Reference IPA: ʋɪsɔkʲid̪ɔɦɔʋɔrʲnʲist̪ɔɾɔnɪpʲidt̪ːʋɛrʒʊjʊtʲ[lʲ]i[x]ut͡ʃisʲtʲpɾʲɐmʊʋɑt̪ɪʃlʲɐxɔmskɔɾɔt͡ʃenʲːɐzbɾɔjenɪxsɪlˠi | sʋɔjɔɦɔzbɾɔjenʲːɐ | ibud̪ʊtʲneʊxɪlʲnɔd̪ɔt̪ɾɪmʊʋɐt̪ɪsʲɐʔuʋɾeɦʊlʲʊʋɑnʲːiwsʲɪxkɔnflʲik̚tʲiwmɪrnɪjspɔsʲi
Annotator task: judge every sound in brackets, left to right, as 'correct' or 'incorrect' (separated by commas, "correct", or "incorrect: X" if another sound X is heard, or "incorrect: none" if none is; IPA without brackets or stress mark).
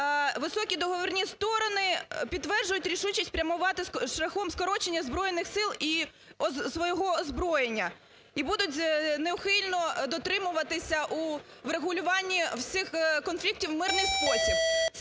incorrect: ɾʲ, incorrect: ʃ